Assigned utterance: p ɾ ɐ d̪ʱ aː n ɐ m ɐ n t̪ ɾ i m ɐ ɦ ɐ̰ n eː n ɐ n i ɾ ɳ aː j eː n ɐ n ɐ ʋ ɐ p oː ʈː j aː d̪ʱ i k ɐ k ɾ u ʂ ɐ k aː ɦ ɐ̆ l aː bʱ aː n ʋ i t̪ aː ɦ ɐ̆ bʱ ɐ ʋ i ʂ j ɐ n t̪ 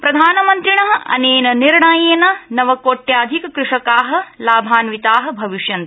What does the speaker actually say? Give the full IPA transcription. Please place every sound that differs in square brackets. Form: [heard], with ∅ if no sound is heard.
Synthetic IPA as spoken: p ɾ ɐ d̪ʱ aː n ɐ m ɐ n t̪ ɾ i [ɳ] ɐ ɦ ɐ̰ n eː n ɐ n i ɾ ɳ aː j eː n ɐ n ɐ ʋ ɐ [k] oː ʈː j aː d̪ʱ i k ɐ k ɾ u ʂ ɐ k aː ɦ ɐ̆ l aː bʱ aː n ʋ i t̪ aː ɦ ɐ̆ bʱ ɐ ʋ i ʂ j ɐ n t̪